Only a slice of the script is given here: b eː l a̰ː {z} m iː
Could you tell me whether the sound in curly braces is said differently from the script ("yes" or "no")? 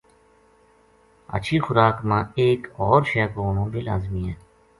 no